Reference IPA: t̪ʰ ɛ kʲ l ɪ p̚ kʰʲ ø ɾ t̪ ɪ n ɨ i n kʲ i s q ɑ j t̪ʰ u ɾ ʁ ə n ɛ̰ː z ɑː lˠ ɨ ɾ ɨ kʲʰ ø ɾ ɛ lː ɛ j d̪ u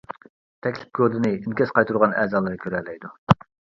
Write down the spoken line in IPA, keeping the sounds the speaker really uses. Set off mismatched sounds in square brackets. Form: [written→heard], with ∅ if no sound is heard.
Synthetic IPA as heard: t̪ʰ ɛ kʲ l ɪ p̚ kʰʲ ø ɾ [t̪→d̪] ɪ n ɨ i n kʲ [i→ɛ] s q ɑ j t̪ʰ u ɾ ʁ [ə→ɑ] n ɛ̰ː z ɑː lˠ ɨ ɾ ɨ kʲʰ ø ɾ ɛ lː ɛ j d̪ u